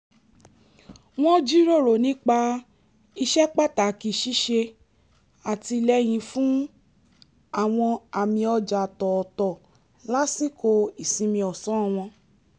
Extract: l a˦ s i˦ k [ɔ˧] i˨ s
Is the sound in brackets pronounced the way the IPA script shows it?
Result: no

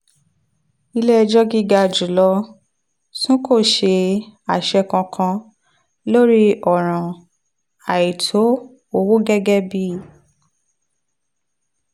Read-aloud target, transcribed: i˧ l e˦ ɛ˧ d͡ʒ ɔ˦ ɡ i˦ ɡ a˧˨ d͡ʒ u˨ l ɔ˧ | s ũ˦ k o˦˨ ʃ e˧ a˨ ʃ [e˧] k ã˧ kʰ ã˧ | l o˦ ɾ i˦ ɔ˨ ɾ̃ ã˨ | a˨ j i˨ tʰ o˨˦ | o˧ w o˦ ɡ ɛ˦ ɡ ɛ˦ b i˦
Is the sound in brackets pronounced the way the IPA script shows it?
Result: no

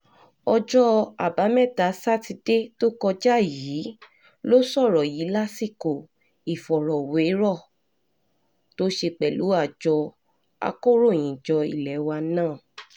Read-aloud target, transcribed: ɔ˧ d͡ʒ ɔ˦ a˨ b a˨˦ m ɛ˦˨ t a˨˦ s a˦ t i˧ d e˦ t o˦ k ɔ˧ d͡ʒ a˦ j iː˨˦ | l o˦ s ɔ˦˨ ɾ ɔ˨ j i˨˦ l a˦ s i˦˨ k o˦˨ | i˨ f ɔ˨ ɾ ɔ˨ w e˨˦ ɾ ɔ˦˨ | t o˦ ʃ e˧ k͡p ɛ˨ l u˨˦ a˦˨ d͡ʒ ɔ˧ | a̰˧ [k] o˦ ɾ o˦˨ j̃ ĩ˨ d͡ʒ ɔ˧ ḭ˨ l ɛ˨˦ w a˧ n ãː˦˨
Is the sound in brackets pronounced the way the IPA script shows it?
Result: yes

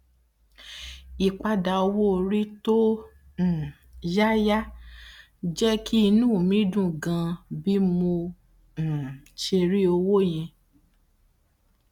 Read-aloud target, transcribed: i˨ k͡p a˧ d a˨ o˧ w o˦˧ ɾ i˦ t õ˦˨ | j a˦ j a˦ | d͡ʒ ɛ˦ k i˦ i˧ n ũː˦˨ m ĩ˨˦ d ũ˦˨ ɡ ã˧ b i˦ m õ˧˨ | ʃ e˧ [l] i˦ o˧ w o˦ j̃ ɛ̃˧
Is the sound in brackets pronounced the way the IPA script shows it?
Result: no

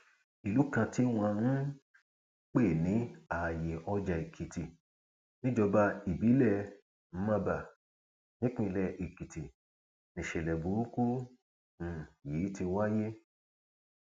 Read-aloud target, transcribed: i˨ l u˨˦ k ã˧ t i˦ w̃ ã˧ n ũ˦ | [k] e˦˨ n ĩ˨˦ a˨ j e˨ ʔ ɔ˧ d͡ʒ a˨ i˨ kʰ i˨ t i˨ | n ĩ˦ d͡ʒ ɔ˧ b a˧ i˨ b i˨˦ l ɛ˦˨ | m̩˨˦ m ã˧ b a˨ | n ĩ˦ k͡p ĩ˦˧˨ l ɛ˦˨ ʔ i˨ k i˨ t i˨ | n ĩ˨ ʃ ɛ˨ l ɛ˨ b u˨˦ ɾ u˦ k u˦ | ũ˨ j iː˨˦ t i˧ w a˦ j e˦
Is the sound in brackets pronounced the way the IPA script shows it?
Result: no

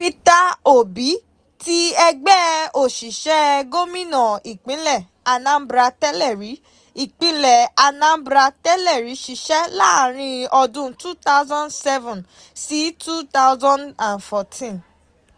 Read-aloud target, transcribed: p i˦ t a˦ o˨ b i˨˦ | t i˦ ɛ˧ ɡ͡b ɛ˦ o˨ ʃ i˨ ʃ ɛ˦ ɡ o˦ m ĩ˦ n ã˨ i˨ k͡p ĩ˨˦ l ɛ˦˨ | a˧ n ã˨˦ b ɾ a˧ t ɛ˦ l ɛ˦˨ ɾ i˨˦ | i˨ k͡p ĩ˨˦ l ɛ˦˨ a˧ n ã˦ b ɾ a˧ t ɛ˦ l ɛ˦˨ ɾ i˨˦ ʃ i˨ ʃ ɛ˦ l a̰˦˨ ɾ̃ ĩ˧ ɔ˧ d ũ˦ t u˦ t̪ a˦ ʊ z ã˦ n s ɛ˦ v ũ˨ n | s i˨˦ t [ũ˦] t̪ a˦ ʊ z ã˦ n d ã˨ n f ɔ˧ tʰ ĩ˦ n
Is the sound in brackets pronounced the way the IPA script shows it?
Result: no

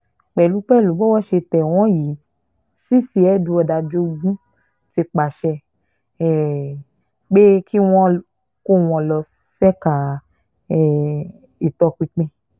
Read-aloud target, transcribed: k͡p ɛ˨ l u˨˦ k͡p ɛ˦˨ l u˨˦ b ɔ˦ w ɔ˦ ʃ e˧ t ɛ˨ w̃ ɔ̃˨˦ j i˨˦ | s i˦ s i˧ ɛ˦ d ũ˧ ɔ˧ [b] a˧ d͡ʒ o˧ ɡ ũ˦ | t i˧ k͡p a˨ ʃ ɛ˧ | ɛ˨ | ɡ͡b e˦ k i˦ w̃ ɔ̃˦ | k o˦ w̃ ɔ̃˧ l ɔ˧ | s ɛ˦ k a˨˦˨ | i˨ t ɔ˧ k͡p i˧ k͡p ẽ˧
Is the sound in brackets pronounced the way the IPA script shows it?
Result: no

